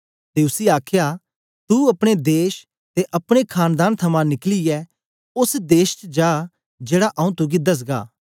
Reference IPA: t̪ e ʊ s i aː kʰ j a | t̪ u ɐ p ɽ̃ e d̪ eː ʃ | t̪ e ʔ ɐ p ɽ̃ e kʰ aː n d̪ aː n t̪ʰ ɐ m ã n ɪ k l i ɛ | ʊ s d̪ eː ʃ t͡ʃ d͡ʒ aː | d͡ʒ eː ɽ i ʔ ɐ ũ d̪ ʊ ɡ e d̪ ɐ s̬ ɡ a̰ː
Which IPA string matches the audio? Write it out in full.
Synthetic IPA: t̪ e ʊ s i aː kʰ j a | t̪ u ɐ p ɽ̃ e d̪ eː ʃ | t̪ e ʔ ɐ p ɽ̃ e kʰ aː n d̪ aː n t̪ʰ ɐ m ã n ɪ k l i ɛ | ʊ s d̪ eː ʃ t͡ʃ d͡ʒ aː | d͡ʒ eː ɽ a ʔ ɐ ũ t̪ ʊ ɡ i d̪ ɐ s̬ ɡ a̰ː